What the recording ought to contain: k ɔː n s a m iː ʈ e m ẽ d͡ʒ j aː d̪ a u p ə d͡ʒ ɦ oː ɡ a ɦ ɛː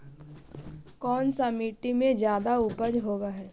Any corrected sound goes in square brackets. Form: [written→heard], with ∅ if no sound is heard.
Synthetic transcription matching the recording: k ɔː n s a m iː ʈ [e→i] m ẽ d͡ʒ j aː d̪ a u p ə d͡ʒ ɦ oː ɡ a ɦ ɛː